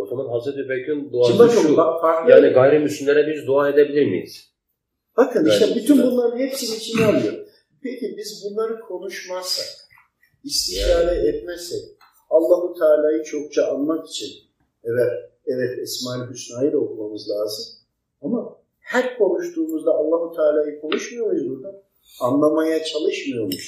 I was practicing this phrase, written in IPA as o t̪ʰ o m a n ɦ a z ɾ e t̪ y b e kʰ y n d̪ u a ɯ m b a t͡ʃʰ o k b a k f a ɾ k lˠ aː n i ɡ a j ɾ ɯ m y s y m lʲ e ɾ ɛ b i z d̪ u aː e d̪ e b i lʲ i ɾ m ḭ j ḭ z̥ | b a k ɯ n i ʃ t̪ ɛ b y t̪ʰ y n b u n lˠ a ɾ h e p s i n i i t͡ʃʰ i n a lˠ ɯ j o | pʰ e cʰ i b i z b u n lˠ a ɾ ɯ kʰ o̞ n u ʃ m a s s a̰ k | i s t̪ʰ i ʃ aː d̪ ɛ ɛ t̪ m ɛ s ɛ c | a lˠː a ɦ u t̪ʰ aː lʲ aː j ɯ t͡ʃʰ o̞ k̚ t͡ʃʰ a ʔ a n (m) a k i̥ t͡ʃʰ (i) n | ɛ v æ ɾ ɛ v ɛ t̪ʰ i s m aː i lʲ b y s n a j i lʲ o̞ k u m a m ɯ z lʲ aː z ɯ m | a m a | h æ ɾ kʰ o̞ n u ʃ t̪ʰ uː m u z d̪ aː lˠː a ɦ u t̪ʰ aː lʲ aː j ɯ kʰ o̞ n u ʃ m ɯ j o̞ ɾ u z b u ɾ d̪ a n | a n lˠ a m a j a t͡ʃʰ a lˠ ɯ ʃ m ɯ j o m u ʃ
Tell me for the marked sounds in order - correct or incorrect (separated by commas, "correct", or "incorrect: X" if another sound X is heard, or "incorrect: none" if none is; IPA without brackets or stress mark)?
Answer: correct, correct